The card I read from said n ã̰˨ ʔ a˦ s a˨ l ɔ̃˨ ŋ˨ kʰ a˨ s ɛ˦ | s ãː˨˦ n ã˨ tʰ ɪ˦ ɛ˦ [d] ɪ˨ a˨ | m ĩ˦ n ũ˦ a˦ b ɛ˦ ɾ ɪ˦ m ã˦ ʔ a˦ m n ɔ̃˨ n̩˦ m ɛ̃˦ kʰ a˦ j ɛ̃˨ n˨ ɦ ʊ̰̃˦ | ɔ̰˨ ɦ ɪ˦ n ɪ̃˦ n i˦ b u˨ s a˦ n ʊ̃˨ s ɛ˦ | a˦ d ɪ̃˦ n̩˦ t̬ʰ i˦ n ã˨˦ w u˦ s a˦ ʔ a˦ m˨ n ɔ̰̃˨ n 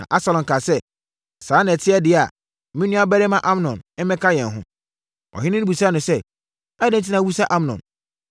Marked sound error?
no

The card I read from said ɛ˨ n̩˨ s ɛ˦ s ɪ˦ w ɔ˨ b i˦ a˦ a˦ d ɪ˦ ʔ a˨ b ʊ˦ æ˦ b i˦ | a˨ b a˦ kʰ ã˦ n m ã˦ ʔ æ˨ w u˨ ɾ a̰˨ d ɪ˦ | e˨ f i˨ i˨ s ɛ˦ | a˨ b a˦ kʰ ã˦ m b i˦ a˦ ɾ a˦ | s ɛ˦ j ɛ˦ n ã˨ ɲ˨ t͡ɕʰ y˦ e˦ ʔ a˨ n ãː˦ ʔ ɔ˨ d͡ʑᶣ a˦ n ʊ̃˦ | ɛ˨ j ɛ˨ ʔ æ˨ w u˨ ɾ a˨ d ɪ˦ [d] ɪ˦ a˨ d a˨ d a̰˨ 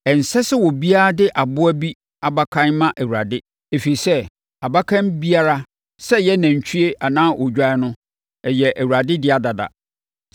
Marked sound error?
no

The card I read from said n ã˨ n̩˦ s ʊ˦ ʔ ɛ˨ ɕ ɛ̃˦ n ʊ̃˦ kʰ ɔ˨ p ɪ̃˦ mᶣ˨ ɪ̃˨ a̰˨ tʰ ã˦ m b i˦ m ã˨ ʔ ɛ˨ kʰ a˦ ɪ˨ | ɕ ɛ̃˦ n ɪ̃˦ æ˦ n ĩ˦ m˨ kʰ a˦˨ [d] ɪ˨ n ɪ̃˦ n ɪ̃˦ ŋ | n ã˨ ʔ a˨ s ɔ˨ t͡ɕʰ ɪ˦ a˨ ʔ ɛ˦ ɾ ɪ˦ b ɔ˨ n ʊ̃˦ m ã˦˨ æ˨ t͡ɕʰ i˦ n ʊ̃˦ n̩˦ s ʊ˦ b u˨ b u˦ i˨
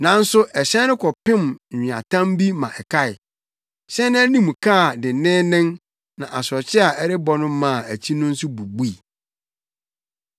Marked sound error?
no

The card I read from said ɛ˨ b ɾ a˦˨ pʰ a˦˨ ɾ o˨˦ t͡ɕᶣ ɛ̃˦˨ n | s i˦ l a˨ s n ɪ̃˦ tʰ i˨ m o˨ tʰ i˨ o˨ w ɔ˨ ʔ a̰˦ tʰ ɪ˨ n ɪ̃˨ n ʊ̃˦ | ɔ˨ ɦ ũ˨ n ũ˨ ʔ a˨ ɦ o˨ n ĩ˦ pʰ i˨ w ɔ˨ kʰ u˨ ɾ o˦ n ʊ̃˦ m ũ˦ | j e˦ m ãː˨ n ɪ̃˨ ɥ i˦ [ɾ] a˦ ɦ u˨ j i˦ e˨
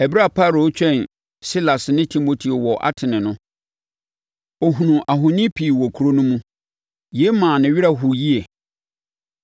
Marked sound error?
no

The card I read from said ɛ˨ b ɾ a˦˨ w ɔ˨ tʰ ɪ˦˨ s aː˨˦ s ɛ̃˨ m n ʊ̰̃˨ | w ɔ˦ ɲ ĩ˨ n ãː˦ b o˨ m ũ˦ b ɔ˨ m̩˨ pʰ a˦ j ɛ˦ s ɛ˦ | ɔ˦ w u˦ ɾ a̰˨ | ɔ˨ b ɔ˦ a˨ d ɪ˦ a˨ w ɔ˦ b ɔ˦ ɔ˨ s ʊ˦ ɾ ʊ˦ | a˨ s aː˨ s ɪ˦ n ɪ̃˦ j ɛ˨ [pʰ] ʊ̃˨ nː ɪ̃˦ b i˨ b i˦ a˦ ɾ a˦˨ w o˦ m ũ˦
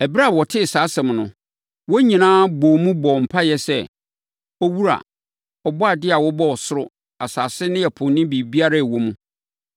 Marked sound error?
no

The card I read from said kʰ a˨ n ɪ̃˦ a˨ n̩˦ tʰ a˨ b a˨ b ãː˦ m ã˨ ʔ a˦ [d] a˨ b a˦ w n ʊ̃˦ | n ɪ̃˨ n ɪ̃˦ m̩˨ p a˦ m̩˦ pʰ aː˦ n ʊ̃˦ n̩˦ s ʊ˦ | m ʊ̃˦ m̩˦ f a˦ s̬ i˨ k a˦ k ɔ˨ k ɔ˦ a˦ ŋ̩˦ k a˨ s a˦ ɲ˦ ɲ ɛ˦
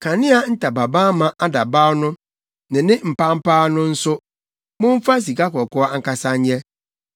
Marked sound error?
no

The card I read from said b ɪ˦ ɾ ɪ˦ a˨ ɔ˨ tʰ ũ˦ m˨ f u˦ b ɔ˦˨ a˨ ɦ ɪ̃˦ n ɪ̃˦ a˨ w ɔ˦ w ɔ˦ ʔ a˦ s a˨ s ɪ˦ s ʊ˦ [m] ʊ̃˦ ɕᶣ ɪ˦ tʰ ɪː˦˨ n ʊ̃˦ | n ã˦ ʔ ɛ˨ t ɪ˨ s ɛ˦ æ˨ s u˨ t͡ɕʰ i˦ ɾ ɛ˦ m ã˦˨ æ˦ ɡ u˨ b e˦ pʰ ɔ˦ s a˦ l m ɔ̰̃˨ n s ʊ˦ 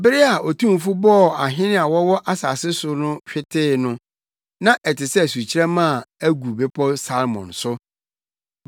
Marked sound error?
yes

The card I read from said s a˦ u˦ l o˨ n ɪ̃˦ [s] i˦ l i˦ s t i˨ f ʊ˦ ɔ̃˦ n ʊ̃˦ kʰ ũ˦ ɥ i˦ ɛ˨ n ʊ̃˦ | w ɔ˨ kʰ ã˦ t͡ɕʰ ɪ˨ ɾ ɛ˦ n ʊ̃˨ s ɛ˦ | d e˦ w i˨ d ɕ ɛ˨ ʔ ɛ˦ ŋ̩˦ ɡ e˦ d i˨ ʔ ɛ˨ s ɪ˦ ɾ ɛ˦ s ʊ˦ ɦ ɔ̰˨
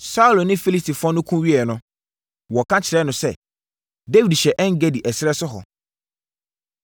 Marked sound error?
yes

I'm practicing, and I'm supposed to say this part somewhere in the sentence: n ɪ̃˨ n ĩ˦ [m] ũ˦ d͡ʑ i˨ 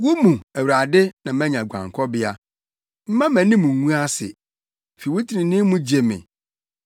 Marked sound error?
no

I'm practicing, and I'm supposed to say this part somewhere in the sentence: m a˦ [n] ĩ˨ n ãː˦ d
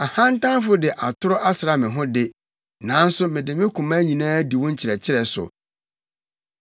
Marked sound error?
yes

